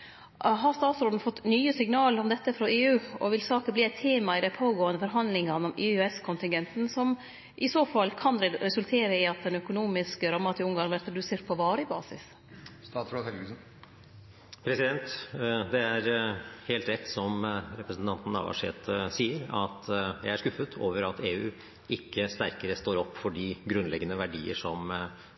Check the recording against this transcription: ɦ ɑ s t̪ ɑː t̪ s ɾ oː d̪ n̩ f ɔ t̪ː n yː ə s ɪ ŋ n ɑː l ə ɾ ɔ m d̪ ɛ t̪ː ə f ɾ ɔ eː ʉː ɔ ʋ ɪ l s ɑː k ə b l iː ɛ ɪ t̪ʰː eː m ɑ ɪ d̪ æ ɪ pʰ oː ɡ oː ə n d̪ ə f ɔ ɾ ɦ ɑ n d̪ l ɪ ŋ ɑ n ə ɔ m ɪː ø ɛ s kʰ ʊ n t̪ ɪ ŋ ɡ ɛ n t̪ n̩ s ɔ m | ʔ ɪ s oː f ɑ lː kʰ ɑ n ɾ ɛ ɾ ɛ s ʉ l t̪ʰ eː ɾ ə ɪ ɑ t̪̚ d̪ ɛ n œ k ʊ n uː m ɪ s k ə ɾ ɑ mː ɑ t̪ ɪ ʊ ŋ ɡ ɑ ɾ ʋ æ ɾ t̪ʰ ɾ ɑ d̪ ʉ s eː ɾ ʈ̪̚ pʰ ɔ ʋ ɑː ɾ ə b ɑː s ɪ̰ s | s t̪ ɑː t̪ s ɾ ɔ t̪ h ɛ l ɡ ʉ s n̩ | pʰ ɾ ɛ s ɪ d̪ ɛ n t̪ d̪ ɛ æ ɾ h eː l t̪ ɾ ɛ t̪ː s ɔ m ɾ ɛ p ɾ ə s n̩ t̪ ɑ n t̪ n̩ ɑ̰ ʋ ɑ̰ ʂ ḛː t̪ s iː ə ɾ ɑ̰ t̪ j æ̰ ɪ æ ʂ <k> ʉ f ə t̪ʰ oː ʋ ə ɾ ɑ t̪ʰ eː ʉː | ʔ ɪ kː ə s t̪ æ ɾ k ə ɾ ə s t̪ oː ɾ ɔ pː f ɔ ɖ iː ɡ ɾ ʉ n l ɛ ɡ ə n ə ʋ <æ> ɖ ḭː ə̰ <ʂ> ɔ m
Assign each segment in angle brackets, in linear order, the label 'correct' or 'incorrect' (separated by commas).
correct, correct, correct